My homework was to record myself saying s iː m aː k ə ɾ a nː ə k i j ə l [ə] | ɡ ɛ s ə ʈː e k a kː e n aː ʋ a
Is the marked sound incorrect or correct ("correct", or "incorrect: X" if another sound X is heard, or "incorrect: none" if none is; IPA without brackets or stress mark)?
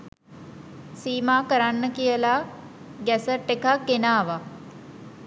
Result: incorrect: a